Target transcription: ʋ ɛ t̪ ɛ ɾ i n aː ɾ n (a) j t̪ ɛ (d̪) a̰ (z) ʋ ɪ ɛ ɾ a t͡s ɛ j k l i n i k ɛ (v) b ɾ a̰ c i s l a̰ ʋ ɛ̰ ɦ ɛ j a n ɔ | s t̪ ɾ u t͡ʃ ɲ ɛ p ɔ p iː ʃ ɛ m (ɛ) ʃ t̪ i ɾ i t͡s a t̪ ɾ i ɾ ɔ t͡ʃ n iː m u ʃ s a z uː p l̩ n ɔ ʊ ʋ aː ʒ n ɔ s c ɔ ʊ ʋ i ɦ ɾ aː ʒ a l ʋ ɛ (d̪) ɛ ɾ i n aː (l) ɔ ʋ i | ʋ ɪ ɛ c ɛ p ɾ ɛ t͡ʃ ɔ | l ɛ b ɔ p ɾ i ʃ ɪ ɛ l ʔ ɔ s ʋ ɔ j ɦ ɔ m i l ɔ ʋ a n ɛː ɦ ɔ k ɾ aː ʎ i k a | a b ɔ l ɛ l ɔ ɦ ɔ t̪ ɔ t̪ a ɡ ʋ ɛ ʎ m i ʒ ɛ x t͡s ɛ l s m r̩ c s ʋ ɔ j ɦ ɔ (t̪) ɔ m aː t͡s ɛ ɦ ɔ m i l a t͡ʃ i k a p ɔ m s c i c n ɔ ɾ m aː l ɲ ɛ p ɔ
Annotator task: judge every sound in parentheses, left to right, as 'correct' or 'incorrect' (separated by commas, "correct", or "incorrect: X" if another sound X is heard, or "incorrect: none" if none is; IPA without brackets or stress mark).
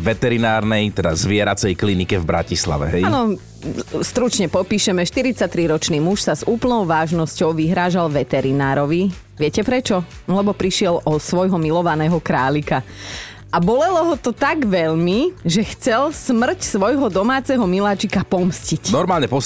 incorrect: ɛ, correct, correct, correct, correct, incorrect: t̪, incorrect: ɾ, incorrect: d̪